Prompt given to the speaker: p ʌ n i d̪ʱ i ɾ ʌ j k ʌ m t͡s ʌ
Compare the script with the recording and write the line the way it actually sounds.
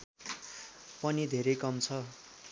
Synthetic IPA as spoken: p ʌ n i d̪ʱ e ɾ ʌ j k ʌ m t͡sʰ ʌ